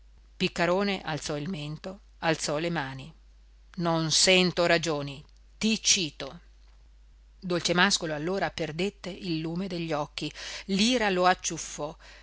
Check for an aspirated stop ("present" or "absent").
absent